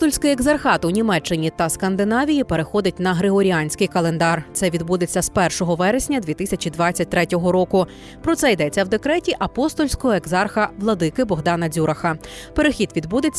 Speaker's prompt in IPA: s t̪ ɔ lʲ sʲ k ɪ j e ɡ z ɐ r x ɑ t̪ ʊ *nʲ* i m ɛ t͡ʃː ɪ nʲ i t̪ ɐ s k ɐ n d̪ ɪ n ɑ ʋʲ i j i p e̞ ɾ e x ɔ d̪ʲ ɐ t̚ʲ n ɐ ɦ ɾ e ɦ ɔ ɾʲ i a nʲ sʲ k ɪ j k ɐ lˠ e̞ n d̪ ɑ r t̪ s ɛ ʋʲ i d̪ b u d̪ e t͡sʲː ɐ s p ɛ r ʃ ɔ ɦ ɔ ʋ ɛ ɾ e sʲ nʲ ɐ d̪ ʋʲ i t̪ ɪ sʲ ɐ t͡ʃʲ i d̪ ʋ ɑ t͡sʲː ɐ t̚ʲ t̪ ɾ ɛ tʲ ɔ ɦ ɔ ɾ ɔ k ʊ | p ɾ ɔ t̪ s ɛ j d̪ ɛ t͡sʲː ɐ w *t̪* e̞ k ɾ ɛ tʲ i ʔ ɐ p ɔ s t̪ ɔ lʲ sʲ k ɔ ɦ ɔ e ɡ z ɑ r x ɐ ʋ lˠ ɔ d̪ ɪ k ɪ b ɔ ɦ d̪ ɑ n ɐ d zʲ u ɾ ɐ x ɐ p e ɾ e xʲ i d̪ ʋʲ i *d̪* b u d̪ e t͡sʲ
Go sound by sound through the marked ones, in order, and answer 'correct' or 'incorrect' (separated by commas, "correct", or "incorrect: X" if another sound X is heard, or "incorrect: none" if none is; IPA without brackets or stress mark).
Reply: correct, incorrect: d̪, correct